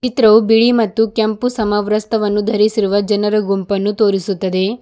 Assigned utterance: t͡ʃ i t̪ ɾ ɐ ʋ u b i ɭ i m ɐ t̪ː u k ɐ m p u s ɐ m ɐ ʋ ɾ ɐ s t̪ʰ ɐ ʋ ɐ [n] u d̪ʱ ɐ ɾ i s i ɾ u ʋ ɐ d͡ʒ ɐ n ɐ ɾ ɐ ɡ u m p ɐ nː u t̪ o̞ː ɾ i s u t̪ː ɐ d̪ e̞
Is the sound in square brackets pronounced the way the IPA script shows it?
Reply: no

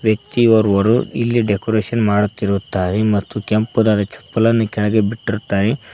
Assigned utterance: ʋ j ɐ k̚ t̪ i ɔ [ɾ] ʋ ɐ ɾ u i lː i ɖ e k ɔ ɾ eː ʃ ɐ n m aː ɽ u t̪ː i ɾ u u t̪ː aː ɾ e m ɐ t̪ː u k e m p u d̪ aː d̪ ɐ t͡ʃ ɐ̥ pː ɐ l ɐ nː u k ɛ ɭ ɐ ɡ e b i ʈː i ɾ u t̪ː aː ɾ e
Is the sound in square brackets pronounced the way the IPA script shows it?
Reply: yes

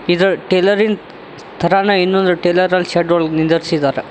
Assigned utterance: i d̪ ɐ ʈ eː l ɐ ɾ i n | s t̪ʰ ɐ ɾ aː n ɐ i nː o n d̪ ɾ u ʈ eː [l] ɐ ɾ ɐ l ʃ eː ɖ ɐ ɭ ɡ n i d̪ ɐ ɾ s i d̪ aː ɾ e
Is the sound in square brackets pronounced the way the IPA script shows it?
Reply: yes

